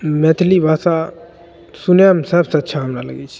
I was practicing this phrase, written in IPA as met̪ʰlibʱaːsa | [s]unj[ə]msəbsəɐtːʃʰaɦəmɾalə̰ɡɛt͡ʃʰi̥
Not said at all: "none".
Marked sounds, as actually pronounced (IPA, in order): s, a

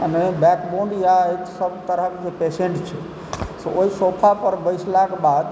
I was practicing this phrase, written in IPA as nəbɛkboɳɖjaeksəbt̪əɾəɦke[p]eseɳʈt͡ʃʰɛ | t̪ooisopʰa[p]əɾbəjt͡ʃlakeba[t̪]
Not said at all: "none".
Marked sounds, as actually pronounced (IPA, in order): p, p, d̪

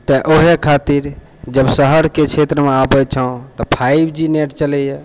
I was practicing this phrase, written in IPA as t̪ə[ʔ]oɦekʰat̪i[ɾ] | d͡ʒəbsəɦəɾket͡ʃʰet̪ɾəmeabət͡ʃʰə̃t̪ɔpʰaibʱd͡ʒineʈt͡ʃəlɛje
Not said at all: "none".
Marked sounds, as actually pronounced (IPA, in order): ʔ, ɾ

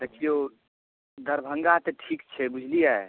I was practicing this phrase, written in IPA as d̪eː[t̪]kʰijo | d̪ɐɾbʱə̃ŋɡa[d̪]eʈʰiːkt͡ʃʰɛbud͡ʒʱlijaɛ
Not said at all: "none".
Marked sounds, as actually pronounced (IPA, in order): none, t̪

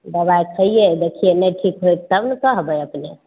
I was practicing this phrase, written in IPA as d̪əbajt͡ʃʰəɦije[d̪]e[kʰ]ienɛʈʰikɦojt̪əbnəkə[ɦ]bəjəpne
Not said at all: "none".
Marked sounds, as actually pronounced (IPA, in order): d̪, kʰ, ɦ

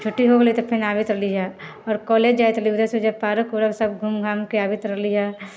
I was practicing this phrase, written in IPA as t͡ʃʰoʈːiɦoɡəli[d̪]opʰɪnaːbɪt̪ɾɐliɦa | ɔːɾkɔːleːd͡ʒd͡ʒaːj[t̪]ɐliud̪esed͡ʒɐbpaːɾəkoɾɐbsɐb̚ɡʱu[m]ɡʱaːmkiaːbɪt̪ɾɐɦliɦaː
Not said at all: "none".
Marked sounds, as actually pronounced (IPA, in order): t̪, t̪, m

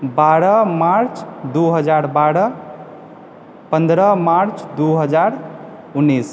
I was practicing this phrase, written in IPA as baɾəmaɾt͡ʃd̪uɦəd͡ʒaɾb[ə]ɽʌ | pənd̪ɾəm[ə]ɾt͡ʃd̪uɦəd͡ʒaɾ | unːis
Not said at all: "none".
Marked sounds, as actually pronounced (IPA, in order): a, a

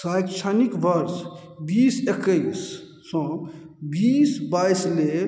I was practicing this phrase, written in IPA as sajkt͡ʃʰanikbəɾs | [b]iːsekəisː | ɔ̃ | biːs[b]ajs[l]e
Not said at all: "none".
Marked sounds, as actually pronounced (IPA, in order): b, b, l

